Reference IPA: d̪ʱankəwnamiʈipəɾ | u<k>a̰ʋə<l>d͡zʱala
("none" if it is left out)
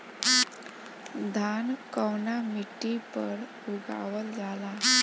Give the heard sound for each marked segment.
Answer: ɡ, l

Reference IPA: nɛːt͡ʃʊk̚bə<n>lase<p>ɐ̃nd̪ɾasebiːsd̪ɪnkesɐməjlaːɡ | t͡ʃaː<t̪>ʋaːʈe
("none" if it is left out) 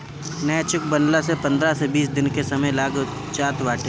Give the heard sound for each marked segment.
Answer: n, p, t̪

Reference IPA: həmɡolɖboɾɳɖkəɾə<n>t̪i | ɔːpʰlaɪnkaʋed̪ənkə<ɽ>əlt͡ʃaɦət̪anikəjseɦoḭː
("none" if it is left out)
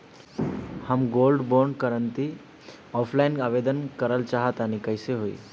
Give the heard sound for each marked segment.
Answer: n, ɾ

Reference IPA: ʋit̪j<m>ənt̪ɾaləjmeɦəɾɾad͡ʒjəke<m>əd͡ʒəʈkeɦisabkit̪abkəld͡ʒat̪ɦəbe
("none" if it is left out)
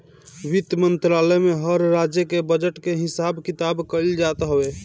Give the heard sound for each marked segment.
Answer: m, b

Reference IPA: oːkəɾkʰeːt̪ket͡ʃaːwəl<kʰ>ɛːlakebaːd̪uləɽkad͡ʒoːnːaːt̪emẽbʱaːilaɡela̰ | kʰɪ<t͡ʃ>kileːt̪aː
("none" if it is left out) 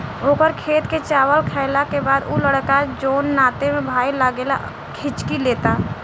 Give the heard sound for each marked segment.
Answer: kʰ, t͡ʃ

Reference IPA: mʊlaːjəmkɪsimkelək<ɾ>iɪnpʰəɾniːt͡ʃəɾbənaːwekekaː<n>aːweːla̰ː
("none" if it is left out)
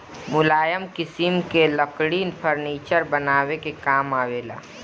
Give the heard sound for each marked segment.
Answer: ɽ, m

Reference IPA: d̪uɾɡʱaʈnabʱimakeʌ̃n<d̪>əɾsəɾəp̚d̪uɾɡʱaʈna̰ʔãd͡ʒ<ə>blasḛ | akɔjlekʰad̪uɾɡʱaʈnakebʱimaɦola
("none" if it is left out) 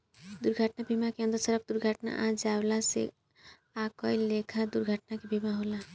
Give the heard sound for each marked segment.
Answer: d̪, a

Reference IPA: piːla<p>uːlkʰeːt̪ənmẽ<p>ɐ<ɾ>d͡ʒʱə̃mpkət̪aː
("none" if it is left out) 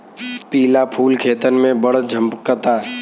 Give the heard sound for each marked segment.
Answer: pʰ, b, ɽ

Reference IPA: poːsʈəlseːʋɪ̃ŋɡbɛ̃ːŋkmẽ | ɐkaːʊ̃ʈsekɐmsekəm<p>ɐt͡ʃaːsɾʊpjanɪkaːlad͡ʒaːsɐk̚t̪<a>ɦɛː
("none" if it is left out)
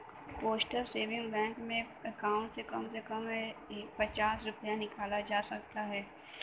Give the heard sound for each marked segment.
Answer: p, a

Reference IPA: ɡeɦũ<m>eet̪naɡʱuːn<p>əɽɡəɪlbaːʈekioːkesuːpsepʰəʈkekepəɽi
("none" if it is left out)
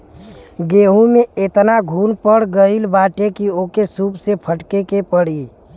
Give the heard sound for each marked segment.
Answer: m, p

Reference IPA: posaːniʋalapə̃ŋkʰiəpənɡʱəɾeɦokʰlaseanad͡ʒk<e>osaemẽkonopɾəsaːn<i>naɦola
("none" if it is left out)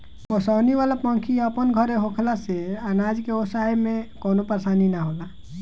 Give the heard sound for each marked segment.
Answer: e, i

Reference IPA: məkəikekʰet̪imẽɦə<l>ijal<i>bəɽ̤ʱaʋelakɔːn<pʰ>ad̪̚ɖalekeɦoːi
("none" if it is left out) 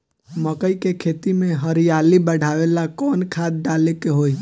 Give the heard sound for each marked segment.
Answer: ɾ, i, kʰ

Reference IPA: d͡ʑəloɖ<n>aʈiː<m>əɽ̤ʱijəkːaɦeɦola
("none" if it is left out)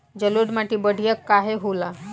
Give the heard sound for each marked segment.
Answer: m, b

